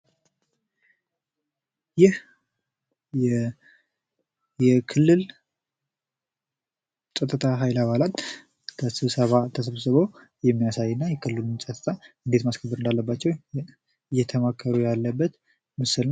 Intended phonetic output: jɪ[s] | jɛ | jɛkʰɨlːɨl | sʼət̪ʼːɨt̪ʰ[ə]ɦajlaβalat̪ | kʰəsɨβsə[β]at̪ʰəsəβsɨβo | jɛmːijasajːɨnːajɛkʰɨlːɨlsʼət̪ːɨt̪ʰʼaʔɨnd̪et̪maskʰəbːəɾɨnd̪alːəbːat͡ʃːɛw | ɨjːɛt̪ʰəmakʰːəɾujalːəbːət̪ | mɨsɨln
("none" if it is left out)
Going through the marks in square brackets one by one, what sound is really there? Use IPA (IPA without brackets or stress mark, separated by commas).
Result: h, a, β